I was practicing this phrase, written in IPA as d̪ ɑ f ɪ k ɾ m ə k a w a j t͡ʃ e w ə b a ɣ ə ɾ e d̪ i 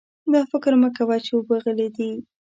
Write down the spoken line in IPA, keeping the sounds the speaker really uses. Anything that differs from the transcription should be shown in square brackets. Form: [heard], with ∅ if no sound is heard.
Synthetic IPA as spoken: d̪ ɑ f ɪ k ɾ m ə k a w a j t͡ʃ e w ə b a ɣ ə [l] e d̪ i

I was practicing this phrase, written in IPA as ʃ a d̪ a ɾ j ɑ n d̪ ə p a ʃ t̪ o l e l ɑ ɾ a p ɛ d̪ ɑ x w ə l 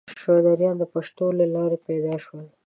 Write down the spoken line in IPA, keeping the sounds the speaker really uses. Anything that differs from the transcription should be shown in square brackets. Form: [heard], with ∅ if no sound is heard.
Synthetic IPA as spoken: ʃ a d̪ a ɾ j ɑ n d̪ ə p a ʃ t̪ o l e l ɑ ɾ [e] p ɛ d̪ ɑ [ʃ] w ə l

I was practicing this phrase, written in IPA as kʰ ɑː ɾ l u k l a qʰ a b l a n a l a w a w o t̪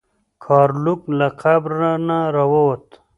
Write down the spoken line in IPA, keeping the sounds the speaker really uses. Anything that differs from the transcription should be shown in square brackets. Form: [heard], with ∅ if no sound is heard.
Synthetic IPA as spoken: kʰ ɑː ɾ l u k l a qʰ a b [ɾ] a n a [ɾ] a w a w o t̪

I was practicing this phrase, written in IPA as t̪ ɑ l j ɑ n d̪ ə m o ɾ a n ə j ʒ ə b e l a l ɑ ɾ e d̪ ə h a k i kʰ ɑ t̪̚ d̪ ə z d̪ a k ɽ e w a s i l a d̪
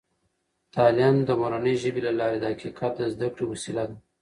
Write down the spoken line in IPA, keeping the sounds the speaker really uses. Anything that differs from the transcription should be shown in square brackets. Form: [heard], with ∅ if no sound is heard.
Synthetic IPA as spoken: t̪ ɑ l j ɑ n d̪ ə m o ɾ a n ə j ʒ ə b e l a l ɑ ɾ e d̪ ə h a k i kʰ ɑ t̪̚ d̪ ə z d̪ a k ɽ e w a s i l a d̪

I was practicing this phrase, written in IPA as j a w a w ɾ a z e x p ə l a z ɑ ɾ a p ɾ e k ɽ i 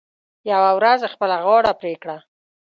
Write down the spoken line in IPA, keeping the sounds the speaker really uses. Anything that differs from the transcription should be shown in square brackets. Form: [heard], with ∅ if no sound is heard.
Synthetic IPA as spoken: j a w a w ɾ a z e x p ə l a [ɣ] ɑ [ɽ] a p ɾ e k ɽ [a]

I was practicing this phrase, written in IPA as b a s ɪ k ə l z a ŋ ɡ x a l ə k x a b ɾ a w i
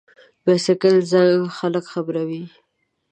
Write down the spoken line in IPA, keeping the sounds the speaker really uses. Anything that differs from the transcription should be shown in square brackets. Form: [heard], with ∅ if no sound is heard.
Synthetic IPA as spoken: b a s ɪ k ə l z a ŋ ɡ x a l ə k x a b ɾ a w i

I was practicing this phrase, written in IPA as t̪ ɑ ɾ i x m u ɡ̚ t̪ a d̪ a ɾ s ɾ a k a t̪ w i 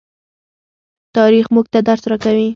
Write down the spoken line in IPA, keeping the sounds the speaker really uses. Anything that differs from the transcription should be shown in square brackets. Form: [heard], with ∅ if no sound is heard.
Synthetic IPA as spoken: t̪ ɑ ɾ i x m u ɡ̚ t̪ a d̪ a ɾ s ɾ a k a [∅] w i

